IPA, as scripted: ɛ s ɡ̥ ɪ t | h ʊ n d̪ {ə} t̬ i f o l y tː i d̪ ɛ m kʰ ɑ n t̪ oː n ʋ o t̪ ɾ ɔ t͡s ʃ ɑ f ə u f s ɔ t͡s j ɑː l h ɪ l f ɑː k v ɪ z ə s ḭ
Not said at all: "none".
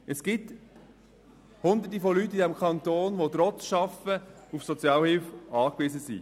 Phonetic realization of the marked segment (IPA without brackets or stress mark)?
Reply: ə